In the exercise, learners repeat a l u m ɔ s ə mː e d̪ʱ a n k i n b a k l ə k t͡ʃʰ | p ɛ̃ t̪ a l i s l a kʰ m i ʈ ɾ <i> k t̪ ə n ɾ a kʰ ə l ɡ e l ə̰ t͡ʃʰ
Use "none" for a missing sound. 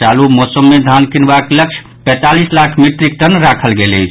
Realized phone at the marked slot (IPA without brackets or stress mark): i